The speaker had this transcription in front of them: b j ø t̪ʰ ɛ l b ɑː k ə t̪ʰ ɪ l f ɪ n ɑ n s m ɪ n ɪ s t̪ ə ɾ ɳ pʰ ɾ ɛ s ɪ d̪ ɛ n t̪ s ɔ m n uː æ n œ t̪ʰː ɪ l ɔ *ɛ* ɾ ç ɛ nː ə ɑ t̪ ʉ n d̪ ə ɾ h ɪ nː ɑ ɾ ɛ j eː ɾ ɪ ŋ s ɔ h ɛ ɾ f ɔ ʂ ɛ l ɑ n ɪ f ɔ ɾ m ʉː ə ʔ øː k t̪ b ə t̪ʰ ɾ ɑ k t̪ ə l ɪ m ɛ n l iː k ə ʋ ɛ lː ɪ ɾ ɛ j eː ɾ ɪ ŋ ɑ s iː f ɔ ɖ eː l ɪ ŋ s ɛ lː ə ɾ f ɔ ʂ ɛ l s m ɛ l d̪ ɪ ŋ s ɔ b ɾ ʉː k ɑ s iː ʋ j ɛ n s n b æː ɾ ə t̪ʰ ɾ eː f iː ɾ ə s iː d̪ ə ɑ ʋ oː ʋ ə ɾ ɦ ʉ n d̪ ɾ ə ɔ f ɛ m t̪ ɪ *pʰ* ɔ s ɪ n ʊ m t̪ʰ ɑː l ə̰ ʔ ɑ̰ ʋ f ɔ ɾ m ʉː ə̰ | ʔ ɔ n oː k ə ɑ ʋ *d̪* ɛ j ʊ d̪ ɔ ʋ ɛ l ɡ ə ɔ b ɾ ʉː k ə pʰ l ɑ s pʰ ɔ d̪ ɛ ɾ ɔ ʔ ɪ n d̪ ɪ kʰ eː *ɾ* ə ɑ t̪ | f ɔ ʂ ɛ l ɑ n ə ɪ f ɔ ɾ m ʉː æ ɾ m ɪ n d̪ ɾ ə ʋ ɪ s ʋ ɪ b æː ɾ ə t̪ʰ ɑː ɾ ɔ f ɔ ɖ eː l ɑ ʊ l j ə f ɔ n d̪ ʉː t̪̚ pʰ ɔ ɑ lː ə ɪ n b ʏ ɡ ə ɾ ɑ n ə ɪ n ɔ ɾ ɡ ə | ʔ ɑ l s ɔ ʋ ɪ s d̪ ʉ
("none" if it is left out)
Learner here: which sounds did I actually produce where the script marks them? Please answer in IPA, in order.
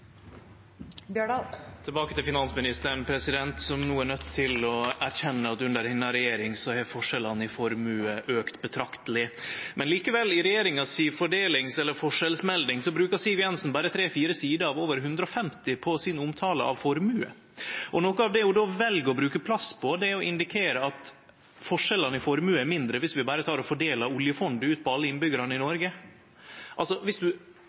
æ, pʰ, d̪, ɾ

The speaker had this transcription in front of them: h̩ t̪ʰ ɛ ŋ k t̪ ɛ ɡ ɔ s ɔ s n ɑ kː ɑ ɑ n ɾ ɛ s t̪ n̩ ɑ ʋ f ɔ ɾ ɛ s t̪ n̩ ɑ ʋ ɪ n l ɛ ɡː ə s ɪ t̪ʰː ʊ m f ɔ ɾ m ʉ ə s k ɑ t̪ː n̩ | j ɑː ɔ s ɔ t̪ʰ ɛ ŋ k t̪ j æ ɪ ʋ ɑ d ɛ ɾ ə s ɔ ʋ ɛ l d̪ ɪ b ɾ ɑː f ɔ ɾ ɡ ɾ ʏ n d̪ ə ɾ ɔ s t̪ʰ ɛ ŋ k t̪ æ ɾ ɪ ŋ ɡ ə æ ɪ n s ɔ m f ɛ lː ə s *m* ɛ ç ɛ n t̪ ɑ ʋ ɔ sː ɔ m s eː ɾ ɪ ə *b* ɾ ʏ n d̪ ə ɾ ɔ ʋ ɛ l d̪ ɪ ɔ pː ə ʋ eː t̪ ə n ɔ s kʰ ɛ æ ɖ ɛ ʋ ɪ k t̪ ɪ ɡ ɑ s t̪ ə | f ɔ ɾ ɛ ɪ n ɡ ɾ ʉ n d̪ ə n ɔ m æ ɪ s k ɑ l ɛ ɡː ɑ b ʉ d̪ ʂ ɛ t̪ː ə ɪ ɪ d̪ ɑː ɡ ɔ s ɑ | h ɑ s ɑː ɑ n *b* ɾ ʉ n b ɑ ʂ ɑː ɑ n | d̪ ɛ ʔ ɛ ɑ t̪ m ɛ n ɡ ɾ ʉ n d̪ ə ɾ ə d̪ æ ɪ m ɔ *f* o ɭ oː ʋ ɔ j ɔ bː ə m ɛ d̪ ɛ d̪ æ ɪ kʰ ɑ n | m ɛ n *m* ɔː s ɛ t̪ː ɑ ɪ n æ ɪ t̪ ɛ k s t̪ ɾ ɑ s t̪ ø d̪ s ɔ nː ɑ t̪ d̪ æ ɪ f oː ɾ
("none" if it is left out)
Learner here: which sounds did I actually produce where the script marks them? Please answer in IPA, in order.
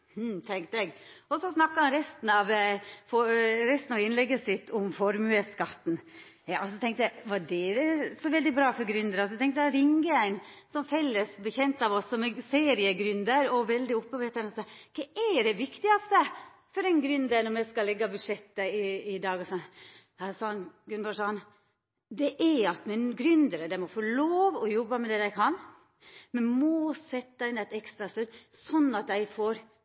b, ɡ, ɡ, f, m

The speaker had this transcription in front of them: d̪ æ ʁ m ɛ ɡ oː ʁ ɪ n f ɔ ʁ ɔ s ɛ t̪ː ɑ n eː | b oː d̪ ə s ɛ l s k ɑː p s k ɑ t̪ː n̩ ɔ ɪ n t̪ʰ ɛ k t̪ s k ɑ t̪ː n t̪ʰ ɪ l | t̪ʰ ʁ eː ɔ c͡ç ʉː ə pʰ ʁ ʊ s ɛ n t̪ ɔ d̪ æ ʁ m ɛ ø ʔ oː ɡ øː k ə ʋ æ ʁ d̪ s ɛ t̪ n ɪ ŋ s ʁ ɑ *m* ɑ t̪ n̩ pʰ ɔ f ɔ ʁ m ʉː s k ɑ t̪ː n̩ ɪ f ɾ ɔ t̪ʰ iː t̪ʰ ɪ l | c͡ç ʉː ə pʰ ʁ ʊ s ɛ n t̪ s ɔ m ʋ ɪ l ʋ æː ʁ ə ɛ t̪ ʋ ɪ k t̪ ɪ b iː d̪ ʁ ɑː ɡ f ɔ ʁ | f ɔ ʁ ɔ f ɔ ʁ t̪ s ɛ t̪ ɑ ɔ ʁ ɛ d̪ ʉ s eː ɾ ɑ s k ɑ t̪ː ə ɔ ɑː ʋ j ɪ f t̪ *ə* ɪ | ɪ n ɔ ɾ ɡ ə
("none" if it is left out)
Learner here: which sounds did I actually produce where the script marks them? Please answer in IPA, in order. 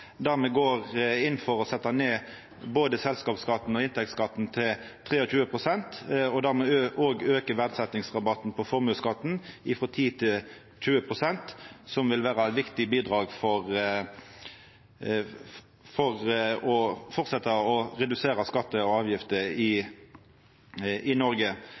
b, ə

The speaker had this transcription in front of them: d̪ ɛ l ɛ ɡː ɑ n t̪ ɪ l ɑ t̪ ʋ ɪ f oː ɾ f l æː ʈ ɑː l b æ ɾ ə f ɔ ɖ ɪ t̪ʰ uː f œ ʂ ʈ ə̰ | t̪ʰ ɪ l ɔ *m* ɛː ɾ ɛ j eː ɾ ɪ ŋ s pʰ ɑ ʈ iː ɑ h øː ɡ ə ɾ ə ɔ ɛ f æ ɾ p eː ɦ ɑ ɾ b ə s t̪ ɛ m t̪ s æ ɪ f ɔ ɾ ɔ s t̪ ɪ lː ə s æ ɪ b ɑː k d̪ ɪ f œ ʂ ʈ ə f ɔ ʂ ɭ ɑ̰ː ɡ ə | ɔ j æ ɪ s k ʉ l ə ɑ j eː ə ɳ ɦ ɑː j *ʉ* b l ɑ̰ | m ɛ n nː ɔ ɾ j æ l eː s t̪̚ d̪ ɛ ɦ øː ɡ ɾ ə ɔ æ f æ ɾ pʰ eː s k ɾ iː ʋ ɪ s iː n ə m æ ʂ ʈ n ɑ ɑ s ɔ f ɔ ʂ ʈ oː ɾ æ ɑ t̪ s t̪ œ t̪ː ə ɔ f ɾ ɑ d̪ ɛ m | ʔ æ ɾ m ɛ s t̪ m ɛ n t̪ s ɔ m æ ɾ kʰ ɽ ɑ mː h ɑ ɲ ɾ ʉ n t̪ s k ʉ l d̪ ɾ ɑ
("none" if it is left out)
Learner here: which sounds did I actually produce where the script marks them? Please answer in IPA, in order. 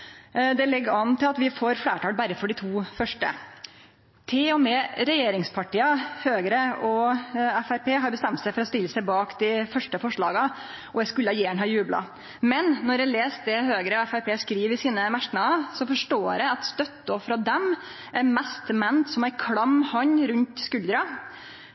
m, ʉː

